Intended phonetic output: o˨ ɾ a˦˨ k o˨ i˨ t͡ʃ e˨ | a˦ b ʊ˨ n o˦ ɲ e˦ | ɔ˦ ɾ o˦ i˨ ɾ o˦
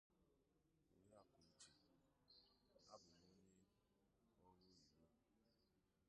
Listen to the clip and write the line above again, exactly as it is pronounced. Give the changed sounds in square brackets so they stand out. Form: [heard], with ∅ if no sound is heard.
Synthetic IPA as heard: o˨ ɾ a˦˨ k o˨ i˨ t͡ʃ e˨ | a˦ b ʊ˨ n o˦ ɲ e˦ | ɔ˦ ɾ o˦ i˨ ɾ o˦